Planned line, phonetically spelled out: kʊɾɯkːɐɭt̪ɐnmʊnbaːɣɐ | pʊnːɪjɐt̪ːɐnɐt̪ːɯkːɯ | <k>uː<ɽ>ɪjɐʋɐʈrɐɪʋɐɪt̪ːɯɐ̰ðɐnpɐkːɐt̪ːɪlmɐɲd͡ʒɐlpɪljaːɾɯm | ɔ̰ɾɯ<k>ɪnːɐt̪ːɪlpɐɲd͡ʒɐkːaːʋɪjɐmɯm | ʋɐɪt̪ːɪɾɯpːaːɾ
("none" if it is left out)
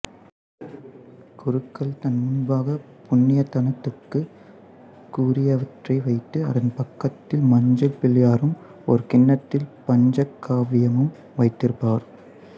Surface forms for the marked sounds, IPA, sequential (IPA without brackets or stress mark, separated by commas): k, ɾ, k